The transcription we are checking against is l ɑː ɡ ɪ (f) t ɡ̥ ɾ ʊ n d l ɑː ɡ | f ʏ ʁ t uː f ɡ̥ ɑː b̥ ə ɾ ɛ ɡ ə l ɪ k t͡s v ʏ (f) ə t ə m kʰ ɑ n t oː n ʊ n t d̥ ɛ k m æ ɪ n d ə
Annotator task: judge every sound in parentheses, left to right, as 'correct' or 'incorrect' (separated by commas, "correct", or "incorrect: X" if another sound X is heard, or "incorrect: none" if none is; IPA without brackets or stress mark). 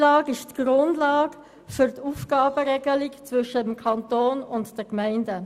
incorrect: ʃ, incorrect: ʃ